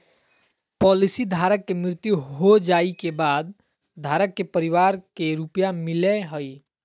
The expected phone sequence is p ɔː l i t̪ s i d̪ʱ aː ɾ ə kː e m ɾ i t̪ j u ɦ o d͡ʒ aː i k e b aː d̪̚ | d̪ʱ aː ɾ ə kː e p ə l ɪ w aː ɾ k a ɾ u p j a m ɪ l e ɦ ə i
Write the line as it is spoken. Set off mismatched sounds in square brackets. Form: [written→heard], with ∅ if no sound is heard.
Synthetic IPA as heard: p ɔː l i [t̪→∅] s i d̪ʱ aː ɾ ə kː e m ɾ [i→ɪ] t̪ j u ɦ o d͡ʒ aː i k e b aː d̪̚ | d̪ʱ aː ɾ ə kː e p ə [l→ɾ] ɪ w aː ɾ k [a→e] ɾ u p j a m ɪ l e ɦ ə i